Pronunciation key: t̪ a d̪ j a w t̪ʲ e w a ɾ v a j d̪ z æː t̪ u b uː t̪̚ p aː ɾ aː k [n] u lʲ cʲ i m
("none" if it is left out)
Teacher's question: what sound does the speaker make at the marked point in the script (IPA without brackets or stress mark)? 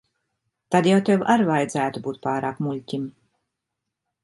m